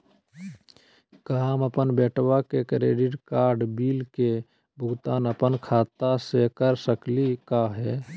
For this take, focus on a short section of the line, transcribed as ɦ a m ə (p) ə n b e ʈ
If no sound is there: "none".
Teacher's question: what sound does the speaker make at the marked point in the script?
p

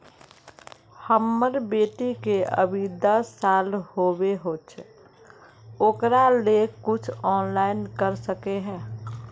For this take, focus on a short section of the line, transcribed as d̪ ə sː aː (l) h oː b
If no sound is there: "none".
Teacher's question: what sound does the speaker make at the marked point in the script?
l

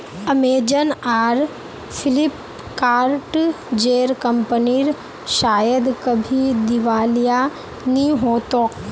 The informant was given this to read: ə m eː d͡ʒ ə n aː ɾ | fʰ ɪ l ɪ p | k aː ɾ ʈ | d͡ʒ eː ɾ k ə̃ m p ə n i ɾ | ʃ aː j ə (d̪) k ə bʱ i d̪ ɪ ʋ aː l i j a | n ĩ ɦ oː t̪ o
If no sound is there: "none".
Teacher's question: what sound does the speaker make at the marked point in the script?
d̪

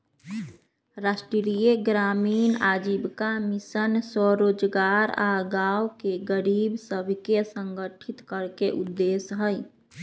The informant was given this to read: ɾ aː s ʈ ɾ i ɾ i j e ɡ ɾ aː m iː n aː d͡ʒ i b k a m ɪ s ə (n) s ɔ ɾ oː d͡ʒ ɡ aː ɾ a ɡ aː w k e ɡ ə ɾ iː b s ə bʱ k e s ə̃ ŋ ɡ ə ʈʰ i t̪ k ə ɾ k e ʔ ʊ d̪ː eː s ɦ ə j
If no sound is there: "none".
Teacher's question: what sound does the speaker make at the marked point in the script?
n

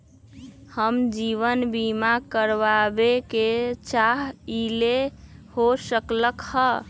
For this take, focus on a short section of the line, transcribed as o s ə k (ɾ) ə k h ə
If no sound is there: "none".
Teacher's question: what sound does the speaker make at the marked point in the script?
l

